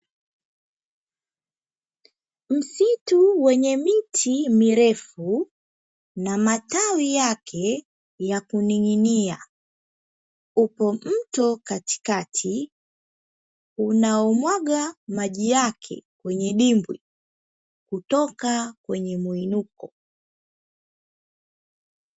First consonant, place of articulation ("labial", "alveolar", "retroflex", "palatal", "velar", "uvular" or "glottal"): labial